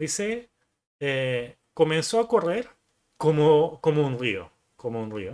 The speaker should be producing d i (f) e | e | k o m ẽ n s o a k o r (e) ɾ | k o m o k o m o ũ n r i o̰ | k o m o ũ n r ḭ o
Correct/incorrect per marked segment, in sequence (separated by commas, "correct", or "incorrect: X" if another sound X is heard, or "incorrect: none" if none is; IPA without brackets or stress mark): incorrect: s, correct